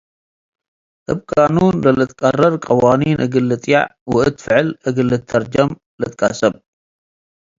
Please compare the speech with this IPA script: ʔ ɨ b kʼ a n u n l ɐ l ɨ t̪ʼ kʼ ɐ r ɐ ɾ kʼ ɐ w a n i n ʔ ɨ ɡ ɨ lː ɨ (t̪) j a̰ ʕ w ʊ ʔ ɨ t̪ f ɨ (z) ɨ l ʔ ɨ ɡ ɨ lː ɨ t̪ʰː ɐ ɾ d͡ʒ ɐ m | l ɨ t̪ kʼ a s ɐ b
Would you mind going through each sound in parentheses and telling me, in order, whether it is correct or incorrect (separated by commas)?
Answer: incorrect, incorrect